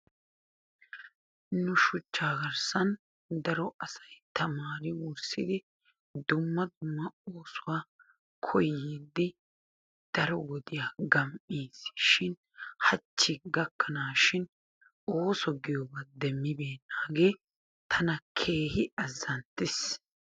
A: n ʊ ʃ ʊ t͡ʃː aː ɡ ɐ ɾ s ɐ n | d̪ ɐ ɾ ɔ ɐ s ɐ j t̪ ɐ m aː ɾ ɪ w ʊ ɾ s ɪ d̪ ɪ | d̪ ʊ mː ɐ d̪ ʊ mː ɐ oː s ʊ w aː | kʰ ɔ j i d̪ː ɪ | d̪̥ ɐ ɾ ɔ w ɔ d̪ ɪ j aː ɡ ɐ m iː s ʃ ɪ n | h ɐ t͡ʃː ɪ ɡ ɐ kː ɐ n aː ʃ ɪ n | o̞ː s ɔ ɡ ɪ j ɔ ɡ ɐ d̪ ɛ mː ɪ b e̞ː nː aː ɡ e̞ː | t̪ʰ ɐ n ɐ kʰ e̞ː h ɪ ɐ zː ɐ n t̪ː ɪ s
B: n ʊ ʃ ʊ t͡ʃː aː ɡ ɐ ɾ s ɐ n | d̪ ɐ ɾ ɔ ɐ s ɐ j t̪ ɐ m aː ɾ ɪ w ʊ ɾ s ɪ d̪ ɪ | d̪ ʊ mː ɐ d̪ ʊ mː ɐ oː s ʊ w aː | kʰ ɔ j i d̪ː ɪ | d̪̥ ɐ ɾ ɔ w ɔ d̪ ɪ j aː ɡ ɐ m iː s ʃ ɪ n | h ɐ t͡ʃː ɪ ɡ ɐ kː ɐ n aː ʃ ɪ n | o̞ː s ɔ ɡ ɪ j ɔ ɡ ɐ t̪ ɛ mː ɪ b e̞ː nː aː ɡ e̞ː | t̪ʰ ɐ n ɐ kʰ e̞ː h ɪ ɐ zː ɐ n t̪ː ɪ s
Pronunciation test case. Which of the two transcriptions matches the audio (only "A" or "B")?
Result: A